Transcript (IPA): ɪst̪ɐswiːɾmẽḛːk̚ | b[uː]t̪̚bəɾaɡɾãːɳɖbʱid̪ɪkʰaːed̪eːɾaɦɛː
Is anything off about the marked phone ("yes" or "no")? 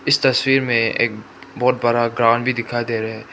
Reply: yes